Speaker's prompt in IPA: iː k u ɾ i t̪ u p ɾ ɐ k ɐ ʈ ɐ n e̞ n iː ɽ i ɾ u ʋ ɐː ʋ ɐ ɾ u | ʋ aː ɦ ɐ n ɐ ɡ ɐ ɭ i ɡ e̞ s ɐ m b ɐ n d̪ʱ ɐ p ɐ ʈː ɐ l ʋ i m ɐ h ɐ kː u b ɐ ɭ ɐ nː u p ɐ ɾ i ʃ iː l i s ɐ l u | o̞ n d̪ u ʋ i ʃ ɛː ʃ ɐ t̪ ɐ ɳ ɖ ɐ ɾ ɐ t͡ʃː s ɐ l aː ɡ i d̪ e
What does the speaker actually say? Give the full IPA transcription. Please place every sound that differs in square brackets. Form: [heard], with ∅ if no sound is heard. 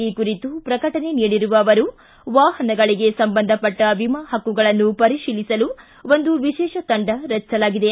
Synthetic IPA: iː k u ɾ i t̪ u p ɾ ɐ k ɐ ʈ ɐ n e̞ n iː ɽ i ɾ u ʋ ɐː ʋ ɐ ɾ u | ʋ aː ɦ ɐ n ɐ ɡ ɐ ɭ i ɡ e̞ s ɐ m b ɐ n d̪ʱ ɐ p ɐ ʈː ɐ [∅] ʋ i m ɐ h ɐ kː u [ɡ] ɐ ɭ ɐ nː u p ɐ ɾ i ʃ iː l i s ɐ l u | o̞ n d̪ u ʋ i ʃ ɛː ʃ ɐ t̪ ɐ ɳ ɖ ɐ ɾ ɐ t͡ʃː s ɐ l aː ɡ i d̪ e